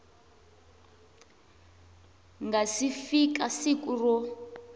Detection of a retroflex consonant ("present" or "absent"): absent